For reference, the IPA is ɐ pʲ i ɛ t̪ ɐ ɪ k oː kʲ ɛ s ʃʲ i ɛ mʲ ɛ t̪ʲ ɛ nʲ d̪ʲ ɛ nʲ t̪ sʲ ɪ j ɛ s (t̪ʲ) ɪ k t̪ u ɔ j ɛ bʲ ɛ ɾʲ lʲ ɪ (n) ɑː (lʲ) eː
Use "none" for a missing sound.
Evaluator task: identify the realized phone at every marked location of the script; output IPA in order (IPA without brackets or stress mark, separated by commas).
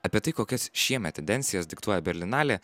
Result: d̪ʲ, n, lʲ